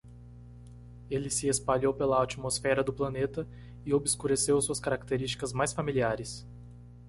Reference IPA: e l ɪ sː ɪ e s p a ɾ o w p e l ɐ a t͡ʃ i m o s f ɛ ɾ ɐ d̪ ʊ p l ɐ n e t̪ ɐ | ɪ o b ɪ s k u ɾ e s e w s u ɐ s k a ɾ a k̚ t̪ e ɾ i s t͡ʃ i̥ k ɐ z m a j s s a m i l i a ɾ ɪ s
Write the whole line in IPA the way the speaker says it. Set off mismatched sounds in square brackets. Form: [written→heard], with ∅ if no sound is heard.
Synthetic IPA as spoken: e l ɪ [sː→s] ɪ e s p a [ɾ→ʎ] o w p e l ɐ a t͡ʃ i m o s f ɛ ɾ ɐ d̪ ʊ p l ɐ n e t̪ ɐ | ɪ o b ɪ s k u ɾ e s e w s u ɐ s k a ɾ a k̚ t̪ e ɾ i s t͡ʃ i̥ k ɐ z m a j s [s→f] a m i l i a ɾ ɪ s